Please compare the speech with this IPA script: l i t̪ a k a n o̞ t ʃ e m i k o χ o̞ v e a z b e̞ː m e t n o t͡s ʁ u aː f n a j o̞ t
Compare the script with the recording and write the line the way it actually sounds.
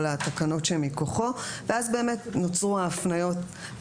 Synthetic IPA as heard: l a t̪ a k a n o̞ t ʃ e m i k o χ o̞ v e a z b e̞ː m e t n o t͡s ʁ u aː f n a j o̞ t